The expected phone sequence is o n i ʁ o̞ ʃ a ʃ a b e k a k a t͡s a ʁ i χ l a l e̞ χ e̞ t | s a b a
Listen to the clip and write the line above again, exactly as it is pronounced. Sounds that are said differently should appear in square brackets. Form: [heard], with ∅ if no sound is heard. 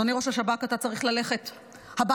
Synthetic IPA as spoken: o n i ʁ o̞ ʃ a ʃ a b [a] k a [t] a t͡s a ʁ i χ l a l e̞ χ e̞ t | [h] a b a